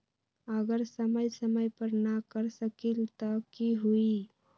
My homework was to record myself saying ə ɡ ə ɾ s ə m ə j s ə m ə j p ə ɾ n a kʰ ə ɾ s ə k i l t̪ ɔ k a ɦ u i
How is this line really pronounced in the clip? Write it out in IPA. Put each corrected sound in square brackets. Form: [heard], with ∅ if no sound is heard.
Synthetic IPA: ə ɡ ə ɾ s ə m ə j s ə m ə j p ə ɾ n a [k] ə ɾ s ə k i l t̪ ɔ k [i] ɦ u i